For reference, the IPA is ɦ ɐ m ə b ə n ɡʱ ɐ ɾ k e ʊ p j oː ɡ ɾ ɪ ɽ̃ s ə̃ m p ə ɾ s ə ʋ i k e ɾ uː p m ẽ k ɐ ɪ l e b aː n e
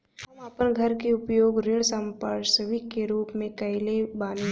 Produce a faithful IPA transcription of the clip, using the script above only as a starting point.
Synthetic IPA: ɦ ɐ m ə p ə n ɡʱ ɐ ɾ k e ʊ p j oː ɡ ɾ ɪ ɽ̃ s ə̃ m p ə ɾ s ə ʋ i k e ɾ uː p m ẽ k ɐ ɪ l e b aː n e